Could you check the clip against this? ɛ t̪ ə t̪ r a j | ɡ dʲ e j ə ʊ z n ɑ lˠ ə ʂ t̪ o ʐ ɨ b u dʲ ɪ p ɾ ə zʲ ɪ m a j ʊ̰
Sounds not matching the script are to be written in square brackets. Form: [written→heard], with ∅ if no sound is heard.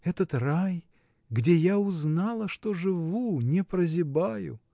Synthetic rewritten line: ɛ t̪ ə t̪ r a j | ɡ dʲ e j [ə→a] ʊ z n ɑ lˠ ə ʂ t̪ o ʐ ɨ [b→v] u [dʲ→nʲ] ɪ p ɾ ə zʲ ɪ [m→b] a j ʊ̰